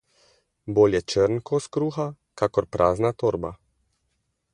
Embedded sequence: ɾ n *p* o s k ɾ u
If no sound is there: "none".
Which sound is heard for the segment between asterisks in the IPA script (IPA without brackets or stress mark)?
k